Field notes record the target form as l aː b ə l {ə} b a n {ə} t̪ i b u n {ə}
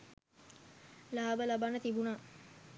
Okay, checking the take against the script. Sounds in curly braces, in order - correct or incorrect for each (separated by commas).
incorrect, correct, incorrect